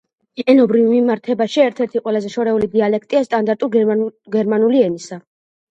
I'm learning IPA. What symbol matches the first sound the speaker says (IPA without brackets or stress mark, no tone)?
ɛ